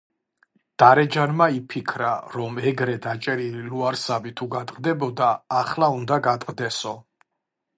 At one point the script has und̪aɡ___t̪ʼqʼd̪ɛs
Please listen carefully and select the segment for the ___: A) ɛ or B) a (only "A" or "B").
B